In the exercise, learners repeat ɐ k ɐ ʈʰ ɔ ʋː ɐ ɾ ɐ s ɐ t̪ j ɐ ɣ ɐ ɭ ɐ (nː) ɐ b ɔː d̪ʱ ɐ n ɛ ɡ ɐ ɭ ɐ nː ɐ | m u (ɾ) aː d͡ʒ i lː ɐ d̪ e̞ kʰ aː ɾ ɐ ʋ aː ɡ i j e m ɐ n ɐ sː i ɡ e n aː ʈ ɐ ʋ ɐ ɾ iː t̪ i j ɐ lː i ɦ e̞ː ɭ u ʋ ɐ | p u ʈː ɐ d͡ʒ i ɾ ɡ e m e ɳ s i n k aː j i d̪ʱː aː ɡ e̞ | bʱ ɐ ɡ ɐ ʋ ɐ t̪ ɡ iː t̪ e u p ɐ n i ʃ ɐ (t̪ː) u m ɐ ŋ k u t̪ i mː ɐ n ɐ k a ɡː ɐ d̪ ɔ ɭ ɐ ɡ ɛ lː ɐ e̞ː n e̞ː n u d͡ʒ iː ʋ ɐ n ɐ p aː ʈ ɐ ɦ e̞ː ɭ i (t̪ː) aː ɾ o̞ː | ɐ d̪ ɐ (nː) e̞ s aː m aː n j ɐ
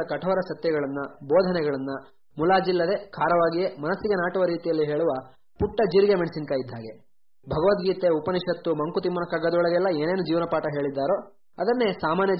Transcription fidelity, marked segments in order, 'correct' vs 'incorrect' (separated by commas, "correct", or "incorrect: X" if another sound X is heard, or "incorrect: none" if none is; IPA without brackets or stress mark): correct, incorrect: l, correct, incorrect: d̪ː, correct